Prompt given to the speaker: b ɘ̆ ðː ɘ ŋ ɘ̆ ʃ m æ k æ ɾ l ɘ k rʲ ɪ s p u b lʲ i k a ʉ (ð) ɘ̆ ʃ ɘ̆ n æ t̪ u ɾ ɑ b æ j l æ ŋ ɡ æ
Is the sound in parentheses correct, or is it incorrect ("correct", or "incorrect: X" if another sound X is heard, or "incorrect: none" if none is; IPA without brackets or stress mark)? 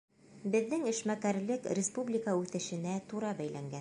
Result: incorrect: θ